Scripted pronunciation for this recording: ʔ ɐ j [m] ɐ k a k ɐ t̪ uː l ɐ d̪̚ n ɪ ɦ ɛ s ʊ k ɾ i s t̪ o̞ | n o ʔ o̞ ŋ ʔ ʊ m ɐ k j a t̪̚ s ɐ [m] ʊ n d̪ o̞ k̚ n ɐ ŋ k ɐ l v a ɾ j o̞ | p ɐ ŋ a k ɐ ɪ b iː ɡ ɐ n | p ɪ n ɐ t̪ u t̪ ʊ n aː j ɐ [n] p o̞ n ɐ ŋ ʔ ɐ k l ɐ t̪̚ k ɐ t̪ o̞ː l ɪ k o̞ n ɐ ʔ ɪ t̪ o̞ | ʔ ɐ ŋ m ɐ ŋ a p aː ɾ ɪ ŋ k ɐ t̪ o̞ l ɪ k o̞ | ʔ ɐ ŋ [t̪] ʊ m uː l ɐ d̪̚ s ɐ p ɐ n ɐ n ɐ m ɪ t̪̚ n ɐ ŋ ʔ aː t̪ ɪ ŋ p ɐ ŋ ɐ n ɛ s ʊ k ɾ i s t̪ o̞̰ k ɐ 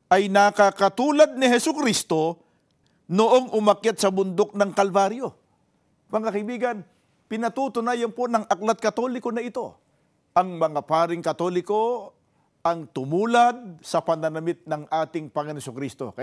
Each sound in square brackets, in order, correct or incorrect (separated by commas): incorrect, incorrect, correct, correct